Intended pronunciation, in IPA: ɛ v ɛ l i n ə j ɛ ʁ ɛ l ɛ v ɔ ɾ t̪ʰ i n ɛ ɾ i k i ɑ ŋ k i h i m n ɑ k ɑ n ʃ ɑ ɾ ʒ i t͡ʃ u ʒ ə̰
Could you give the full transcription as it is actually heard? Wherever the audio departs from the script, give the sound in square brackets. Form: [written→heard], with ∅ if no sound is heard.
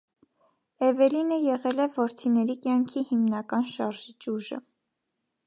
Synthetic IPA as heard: ɛ v ɛ l i n ə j ɛ ʁ ɛ l ɛ v ɔ ɾ t̪ʰ i n ɛ ɾ i k [i→j] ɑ ŋ [k→kʰ] i h i m n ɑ k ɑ n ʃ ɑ ɾ ʒ i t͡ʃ u ʒ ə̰